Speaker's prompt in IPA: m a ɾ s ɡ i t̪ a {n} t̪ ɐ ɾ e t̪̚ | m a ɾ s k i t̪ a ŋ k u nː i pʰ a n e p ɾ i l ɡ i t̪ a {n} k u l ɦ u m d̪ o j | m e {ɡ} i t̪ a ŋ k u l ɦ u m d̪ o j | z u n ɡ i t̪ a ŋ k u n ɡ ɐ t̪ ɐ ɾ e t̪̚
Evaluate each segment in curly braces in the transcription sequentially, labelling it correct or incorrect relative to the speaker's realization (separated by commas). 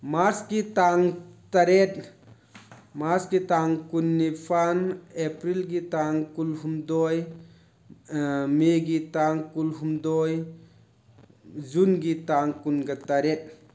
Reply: incorrect, incorrect, correct